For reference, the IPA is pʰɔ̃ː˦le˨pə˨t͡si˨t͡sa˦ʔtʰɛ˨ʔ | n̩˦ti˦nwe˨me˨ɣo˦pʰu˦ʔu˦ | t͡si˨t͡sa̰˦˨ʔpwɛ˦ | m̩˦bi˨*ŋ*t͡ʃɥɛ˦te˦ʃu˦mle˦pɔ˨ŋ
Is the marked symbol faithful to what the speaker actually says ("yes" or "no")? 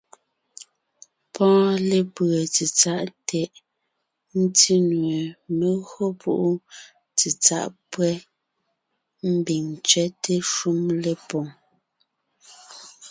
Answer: yes